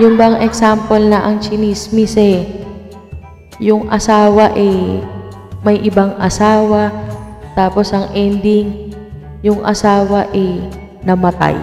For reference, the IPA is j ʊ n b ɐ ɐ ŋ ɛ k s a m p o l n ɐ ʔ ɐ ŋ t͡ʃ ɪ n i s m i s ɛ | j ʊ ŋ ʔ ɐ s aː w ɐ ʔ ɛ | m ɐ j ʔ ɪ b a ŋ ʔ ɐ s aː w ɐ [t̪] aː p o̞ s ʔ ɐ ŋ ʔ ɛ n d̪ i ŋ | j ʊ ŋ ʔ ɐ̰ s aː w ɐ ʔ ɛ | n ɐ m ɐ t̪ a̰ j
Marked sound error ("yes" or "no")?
no